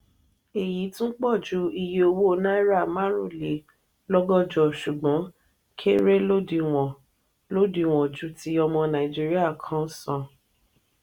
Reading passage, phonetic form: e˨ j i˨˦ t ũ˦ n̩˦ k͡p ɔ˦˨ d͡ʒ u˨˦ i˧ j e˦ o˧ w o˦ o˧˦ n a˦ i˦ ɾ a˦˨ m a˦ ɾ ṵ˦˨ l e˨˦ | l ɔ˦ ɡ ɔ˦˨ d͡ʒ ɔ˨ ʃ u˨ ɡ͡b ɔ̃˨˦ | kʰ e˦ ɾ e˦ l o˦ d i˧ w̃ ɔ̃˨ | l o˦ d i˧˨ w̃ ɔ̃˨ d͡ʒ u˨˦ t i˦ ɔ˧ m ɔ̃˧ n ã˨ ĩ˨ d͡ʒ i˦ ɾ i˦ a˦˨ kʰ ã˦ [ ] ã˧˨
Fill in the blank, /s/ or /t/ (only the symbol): s